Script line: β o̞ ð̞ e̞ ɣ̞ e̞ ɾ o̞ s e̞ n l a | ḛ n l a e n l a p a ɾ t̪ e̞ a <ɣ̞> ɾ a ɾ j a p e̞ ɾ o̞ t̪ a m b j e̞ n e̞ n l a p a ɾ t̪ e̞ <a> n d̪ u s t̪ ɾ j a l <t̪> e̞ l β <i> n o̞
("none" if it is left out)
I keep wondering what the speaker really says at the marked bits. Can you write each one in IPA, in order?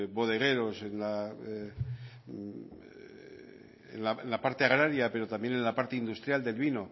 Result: ɣ̞, i, d̪, i

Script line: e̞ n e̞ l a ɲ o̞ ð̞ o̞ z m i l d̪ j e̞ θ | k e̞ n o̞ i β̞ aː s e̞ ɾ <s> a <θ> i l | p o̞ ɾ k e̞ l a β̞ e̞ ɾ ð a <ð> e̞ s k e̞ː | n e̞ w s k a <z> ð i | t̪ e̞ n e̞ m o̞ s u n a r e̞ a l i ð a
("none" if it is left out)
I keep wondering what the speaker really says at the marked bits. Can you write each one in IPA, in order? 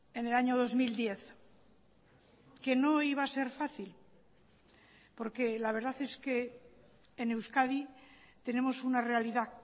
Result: f, θ, θ, none

